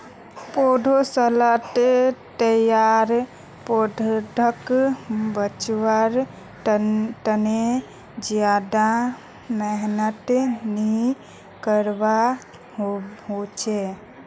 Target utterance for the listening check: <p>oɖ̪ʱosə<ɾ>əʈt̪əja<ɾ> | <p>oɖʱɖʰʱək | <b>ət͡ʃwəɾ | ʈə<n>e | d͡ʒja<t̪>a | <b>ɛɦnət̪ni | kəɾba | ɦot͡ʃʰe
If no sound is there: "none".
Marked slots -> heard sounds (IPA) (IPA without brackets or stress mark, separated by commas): p, l, ɾ, p, b, n, d̪, m